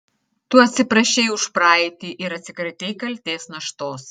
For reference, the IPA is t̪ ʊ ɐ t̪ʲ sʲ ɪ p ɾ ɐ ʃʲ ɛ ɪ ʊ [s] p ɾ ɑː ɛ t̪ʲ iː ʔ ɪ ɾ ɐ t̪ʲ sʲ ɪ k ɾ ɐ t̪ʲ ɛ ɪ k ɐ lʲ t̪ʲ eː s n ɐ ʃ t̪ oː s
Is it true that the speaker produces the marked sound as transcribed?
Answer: no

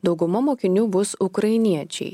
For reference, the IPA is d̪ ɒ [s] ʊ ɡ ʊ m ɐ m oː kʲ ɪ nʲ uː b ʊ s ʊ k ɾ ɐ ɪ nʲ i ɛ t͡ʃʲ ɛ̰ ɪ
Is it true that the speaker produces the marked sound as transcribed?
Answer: no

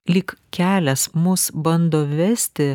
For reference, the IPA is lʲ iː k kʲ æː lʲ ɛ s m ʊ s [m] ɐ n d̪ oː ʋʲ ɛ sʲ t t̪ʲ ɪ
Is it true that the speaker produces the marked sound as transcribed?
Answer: no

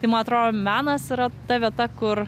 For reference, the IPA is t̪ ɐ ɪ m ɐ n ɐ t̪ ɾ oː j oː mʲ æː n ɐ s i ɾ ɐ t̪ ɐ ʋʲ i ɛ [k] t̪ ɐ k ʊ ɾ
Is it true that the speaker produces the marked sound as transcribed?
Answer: no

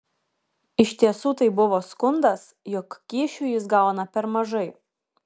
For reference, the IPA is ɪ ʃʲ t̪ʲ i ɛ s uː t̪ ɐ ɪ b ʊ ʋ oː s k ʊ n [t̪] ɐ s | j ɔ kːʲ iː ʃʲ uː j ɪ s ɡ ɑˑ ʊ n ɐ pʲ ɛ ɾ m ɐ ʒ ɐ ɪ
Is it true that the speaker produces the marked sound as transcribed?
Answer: no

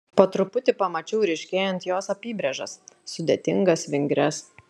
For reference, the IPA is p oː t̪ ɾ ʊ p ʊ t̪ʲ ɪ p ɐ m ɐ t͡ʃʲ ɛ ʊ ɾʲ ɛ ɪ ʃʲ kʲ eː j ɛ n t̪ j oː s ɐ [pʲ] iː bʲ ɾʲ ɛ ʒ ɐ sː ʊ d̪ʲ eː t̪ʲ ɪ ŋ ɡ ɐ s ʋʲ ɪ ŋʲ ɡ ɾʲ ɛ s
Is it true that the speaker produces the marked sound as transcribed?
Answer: yes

